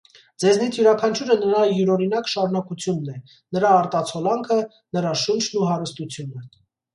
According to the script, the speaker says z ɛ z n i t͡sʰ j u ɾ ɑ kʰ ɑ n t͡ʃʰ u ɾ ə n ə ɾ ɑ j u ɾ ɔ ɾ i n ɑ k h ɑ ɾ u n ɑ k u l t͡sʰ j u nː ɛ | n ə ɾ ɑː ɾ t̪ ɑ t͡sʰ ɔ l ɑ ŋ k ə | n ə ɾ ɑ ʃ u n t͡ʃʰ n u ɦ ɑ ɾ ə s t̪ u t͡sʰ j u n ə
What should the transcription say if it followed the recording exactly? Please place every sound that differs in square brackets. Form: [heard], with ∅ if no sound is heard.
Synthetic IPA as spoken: [d͡z] ɛ z n i t͡sʰ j u ɾ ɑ kʰ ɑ n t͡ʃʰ u ɾ ə n ə ɾ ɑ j u ɾ ɔ ɾ i n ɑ k [ʃ] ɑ ɾ u n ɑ k u [∅] t͡sʰ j u nː ɛ | n ə ɾ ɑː ɾ t̪ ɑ t͡sʰ ɔ l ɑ ŋ [kʰ] ə | n ə ɾ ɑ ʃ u n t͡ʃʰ n u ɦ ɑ ɾ ə s t̪ u t͡sʰ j u n ə